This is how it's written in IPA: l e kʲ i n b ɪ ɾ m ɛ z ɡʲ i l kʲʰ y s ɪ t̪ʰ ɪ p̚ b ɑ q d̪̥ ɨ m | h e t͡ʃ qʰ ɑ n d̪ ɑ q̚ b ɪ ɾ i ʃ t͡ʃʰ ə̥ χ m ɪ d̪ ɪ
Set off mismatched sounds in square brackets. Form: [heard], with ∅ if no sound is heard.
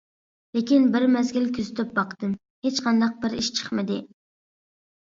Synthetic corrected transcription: l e kʲ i n b ɪ ɾ m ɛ z ɡʲ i l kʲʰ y [z] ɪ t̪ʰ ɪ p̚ b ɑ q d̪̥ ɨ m | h e t͡ʃ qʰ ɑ n d̪ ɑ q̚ b ɪ ɾ i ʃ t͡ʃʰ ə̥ χ m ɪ d̪ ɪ